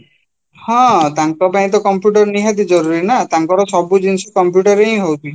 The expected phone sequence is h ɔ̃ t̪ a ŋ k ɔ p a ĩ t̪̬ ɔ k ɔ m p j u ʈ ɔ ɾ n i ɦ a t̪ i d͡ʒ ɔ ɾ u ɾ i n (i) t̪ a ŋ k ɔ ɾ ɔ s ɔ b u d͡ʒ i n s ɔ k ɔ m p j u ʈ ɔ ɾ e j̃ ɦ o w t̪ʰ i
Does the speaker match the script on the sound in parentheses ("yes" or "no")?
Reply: no